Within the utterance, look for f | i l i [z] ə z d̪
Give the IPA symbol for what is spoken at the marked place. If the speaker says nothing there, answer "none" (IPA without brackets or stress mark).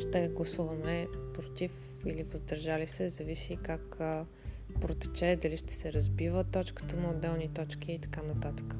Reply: v